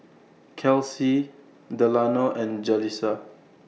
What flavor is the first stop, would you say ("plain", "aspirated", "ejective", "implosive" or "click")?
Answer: aspirated